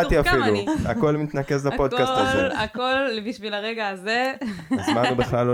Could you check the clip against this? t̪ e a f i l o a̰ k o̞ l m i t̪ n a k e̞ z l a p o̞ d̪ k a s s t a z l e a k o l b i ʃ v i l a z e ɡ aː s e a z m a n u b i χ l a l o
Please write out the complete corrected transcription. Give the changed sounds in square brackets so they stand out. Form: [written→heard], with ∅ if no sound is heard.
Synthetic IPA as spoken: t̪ [e→i] a f i l [o→u] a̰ k o̞ l m i t̪ n a k e̞ z l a p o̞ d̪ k a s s t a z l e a k o l b i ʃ v i l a [z→ʁ] e ɡ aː [s→z] e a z m a n u b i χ l a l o